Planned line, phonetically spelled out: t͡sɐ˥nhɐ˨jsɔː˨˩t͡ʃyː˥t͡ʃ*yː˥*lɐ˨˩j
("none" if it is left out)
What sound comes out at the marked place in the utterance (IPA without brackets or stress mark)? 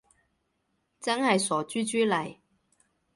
yː˥